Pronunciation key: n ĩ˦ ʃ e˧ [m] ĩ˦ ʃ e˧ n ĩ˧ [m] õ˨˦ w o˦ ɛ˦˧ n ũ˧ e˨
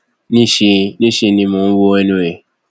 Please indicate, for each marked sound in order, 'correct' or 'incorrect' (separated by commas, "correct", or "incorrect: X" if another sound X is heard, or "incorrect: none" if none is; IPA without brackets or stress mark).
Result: incorrect: n, correct